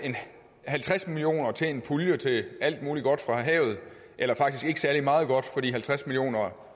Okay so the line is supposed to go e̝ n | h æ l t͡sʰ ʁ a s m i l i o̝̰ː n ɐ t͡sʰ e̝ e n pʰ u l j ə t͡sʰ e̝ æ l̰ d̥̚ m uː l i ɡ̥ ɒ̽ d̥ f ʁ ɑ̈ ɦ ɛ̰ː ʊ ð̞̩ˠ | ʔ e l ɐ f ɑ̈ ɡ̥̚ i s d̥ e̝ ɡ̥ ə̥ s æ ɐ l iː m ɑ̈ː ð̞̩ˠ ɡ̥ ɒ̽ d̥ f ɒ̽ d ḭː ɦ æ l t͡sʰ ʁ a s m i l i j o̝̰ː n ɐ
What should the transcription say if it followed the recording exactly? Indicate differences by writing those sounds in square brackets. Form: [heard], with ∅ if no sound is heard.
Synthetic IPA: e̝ n | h æ l t͡sʰ ʁ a s m i l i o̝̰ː n ɐ t͡sʰ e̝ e n pʰ u l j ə t͡sʰ e̝ æ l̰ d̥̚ m uː l i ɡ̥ ɒ̽ d̥ f ʁ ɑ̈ ɦ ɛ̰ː ʊ ð̞̩ˠ | ʔ e l ɐ f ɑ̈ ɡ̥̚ i s [ɡ̥] e̝ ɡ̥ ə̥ s æ ɐ l [i] m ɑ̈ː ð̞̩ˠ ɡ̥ ɒ̽ d̥ f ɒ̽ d ḭː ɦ æ l t͡sʰ ʁ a s m i l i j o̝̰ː n ɐ